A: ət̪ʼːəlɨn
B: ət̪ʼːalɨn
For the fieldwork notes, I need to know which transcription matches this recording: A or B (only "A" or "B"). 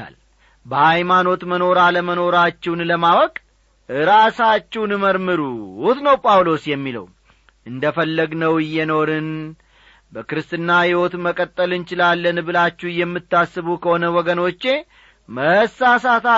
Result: A